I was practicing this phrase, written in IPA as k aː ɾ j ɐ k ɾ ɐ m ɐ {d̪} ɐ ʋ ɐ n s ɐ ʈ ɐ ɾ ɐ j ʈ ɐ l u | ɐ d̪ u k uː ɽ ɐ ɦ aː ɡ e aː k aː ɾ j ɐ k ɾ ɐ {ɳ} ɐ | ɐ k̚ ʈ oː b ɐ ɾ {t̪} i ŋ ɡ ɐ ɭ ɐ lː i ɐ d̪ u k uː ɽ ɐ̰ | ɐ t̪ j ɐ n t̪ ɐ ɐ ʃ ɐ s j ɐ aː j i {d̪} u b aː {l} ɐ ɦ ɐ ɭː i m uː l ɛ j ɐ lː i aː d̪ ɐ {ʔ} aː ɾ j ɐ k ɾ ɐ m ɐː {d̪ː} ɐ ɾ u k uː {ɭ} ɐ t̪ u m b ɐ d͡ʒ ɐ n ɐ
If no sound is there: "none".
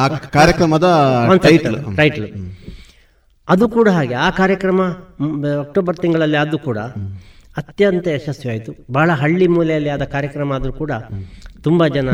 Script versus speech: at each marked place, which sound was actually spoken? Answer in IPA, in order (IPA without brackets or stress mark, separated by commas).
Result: d̪, m, t̪, t̪, ɭ, k, d̪, ɽ